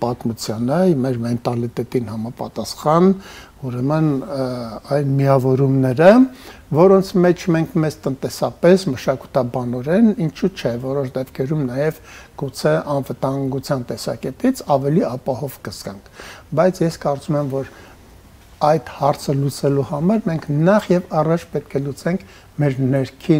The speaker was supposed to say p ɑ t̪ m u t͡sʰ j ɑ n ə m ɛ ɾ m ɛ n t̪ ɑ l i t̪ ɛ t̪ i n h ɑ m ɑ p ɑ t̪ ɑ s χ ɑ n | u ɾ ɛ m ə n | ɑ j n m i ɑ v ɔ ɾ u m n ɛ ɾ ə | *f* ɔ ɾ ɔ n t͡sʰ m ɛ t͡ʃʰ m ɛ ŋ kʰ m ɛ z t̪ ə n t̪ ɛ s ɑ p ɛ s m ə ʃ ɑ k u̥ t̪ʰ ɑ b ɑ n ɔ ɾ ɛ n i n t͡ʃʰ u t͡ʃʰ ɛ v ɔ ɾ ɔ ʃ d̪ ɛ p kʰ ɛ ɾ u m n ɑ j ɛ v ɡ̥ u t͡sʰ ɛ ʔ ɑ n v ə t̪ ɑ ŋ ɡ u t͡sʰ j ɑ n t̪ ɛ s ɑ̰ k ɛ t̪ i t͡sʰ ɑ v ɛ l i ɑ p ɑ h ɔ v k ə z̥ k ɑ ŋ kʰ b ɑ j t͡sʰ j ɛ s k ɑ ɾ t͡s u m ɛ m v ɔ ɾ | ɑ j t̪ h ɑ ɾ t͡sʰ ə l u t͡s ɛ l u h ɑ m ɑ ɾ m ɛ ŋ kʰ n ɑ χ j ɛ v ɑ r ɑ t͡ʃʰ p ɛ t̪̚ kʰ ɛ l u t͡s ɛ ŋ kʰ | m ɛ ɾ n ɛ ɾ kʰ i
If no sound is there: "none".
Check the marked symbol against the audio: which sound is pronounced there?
v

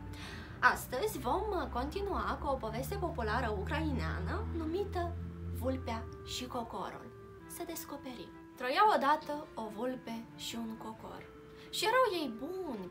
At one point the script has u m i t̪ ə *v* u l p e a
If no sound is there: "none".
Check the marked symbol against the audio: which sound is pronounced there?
v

